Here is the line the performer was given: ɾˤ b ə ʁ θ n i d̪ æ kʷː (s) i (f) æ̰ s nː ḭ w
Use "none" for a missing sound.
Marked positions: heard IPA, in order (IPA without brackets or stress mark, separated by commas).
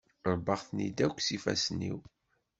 s, f